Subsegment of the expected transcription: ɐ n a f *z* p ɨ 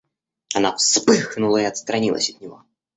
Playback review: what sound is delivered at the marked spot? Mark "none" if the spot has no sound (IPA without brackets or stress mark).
s